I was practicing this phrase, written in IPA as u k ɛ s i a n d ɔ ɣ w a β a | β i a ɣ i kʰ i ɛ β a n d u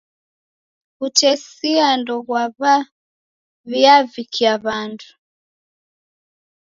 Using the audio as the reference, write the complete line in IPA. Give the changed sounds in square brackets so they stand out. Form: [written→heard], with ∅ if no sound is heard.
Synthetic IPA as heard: u [k→t] ɛ s i a n d ɔ ɣ w a β a | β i a [ɣ→v] i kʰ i [ɛ→a] β a n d u